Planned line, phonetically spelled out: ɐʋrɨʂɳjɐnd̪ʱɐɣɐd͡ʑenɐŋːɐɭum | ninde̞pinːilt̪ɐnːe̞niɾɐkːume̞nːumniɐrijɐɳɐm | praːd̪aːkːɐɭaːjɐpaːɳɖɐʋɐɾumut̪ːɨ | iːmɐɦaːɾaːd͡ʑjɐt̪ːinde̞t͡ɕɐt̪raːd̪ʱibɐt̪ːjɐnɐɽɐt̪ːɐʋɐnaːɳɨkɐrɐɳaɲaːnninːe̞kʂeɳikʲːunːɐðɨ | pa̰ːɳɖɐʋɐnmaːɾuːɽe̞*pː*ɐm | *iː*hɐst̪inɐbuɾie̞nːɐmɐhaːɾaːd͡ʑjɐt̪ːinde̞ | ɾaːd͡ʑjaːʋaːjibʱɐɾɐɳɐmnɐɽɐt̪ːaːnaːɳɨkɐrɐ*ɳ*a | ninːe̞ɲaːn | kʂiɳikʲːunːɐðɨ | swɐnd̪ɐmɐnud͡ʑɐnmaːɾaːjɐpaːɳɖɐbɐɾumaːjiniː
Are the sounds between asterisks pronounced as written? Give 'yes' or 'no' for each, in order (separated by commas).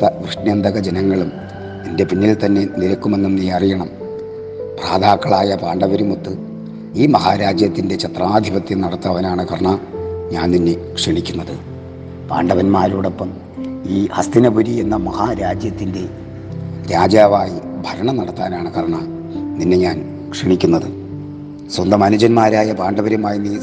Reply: yes, yes, yes